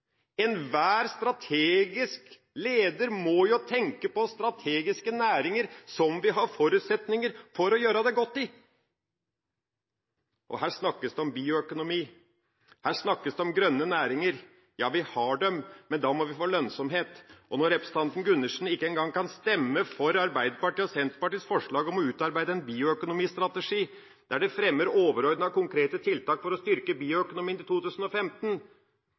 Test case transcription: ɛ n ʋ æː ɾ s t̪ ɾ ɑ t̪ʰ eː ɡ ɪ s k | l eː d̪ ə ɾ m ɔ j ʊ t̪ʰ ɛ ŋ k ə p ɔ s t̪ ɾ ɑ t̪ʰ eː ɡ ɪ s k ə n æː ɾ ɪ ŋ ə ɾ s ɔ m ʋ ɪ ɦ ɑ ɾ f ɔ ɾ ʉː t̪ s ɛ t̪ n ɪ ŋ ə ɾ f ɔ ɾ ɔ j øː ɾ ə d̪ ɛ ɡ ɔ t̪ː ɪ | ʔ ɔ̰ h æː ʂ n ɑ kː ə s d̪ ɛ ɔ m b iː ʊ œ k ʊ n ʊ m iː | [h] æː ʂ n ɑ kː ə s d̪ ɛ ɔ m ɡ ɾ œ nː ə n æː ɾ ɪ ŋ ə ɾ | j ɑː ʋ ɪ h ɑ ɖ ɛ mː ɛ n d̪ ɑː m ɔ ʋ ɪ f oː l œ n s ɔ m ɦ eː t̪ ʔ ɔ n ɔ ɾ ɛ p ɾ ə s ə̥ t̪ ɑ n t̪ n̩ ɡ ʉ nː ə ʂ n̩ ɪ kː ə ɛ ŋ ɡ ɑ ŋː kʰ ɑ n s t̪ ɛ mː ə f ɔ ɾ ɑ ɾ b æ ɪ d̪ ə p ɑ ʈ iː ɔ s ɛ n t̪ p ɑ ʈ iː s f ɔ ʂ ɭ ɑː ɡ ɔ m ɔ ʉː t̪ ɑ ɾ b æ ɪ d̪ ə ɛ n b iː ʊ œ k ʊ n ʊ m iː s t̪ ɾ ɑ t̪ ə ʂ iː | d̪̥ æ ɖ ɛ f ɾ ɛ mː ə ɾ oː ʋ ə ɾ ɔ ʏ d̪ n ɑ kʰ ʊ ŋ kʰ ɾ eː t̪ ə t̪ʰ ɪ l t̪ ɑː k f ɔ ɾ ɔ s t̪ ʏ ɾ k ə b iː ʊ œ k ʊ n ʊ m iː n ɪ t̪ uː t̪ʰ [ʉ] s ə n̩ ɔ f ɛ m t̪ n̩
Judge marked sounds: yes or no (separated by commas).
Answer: yes, no